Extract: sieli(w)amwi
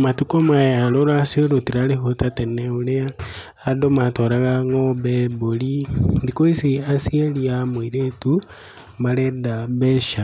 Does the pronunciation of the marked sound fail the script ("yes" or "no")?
yes